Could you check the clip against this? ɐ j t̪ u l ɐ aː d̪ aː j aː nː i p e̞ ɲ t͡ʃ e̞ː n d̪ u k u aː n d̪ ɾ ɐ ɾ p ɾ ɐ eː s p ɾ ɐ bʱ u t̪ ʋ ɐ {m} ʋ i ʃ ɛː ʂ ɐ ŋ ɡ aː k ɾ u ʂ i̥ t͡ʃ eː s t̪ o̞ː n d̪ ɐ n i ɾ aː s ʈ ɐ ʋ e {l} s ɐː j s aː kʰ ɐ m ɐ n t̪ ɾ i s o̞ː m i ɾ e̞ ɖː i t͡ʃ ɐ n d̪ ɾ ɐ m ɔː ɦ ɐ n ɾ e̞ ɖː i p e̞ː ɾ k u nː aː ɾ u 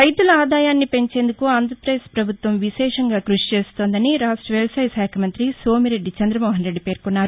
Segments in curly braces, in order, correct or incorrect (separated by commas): correct, correct